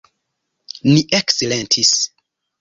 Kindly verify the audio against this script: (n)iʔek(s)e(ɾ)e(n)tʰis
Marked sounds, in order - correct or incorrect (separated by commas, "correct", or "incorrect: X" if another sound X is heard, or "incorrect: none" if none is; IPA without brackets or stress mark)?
correct, correct, incorrect: l, correct